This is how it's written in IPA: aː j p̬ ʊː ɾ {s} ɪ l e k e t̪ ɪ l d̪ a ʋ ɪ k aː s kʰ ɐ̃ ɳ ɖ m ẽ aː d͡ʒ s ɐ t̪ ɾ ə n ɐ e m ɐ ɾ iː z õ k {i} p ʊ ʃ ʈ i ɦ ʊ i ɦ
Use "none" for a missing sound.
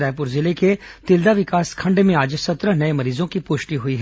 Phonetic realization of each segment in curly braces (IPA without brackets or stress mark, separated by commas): z, i